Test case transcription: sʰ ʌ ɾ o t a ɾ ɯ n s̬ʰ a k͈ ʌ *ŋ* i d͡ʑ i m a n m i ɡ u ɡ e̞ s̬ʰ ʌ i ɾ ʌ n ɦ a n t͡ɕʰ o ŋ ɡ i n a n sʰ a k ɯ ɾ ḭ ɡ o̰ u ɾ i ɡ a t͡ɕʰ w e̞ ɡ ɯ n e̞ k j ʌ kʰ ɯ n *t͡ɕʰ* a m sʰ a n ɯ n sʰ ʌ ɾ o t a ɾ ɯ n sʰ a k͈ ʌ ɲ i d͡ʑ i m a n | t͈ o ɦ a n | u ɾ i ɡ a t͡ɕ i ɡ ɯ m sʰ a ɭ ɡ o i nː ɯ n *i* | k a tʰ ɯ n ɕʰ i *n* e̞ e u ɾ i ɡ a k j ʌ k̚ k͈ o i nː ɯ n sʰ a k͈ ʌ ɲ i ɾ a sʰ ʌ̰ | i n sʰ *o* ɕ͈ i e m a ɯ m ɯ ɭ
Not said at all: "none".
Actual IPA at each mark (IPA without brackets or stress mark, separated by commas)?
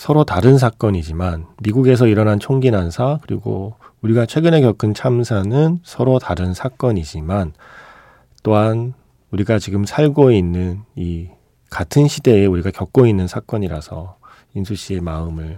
ɲ, t͡ɕʰ, i, d, u